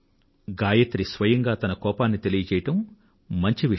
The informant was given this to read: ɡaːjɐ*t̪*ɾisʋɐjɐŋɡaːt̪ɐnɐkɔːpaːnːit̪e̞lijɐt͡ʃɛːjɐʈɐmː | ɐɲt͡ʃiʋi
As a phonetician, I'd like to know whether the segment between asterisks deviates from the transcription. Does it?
no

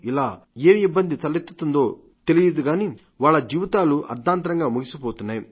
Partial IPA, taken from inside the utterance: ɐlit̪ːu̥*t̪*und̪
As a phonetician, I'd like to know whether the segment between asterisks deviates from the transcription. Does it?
no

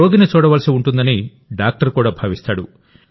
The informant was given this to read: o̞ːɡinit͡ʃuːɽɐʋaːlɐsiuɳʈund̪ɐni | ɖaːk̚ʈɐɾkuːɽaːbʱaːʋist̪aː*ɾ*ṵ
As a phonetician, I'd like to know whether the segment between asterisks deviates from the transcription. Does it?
yes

